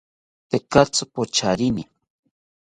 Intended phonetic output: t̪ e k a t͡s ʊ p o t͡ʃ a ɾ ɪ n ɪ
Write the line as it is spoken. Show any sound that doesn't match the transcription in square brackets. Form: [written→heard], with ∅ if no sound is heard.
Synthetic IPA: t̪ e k a t͡s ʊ p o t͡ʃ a ɾ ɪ n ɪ

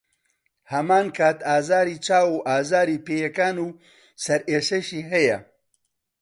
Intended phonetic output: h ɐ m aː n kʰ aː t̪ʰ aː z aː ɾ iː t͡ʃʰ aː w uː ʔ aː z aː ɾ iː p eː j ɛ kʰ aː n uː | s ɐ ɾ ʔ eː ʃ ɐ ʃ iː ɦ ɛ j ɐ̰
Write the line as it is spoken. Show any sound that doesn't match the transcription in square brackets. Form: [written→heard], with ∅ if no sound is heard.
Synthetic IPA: h ɐ m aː n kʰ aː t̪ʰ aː z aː ɾ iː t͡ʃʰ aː w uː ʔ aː z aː ɾ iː p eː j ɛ [kʰ→k] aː n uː | s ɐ ɾ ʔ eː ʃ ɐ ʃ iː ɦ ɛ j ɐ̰

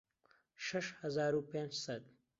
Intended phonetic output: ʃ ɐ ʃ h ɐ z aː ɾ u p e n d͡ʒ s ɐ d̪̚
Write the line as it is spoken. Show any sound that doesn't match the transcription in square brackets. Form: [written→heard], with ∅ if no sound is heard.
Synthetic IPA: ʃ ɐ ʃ h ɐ z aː ɾ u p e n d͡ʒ s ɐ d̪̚

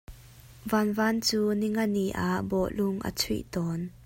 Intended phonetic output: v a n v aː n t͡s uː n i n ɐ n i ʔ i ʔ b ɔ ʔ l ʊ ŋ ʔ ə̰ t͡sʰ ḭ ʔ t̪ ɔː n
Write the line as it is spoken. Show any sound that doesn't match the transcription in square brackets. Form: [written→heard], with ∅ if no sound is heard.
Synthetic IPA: v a n v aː n t͡s uː n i [n→ŋ] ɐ n i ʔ [i→a] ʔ b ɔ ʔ l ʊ ŋ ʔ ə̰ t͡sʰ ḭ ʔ t̪ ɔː n

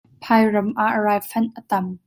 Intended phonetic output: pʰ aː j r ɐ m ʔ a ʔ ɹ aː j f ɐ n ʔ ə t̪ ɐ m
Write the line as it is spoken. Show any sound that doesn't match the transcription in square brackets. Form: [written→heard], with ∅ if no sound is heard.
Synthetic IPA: pʰ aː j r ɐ m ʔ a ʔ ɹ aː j f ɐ n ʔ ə t̪ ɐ m

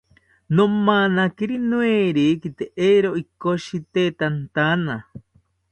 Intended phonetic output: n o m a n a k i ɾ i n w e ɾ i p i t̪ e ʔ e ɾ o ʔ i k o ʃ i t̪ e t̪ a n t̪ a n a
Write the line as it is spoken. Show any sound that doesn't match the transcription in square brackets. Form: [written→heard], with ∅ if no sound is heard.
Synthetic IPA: n o m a n a k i ɾ i n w e ɾ i [p→k] i t̪ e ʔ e ɾ o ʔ i k o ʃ i t̪ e t̪ a n t̪ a n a

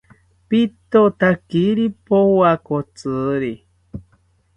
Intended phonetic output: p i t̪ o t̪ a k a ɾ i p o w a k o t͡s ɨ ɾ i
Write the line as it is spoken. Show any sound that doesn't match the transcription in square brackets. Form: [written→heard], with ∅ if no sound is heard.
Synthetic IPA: p i t̪ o t̪ a k [a→i] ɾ i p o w a k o t͡s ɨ ɾ i

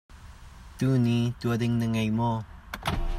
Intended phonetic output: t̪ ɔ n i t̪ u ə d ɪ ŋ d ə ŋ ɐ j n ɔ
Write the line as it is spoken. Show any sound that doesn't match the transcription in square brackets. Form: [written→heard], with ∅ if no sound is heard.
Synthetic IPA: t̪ [ɔ→u] n i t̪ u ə d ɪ ŋ [d→n] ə ŋ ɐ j [n→m] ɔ

